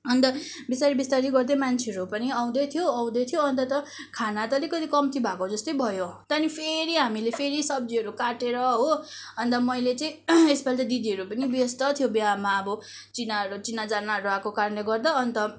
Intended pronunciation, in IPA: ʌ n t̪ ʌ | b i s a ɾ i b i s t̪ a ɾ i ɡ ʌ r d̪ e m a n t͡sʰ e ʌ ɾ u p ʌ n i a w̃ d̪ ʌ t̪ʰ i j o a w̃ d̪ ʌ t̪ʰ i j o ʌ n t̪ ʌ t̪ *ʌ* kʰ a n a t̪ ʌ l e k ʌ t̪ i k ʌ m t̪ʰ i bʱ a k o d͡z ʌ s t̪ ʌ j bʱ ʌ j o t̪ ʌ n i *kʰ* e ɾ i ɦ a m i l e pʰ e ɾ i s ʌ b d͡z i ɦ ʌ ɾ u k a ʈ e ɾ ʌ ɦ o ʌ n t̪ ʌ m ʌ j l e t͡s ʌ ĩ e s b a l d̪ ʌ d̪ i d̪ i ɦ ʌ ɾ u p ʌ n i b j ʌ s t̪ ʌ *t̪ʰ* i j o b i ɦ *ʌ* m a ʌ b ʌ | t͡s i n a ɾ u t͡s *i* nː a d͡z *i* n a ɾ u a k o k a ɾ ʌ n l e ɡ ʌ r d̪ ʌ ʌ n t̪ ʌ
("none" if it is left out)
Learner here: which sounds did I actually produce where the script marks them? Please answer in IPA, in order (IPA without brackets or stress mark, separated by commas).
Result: ʌ, pʰ, t̪ʰ, a, i, a